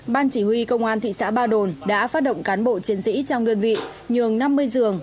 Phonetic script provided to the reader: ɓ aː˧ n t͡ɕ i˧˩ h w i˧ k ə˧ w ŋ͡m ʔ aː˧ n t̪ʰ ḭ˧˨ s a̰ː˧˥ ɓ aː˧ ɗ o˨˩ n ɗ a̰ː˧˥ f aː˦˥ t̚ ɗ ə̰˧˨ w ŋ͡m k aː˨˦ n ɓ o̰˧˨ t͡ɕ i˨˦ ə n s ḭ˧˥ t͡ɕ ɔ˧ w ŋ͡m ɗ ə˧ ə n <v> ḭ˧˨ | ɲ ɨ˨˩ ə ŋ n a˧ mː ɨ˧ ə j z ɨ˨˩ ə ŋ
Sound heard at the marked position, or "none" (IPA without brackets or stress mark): v